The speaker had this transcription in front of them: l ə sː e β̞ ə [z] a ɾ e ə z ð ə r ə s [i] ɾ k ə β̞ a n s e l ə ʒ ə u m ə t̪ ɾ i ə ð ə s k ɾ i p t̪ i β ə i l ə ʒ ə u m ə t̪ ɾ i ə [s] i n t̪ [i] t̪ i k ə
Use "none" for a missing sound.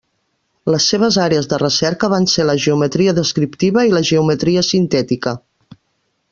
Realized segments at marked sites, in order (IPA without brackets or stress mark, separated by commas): z, ɛ, s, ɛ